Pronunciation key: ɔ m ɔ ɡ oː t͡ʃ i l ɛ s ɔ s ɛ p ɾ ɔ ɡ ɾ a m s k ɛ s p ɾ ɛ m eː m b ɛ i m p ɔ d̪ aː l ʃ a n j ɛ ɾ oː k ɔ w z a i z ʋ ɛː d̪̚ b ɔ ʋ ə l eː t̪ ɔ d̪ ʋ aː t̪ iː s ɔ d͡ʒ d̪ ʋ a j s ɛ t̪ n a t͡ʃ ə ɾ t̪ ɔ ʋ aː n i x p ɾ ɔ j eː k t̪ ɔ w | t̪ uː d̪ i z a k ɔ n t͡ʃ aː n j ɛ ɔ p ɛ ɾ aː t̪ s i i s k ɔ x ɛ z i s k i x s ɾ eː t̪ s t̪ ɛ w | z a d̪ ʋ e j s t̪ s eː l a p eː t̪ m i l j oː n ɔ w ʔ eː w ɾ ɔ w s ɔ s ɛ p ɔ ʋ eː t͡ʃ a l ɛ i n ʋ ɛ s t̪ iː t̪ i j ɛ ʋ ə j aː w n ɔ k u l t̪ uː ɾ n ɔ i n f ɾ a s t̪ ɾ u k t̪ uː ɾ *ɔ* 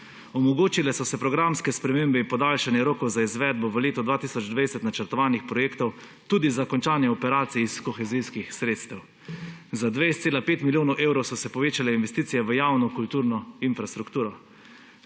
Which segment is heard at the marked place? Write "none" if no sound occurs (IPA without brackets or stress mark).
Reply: ɔ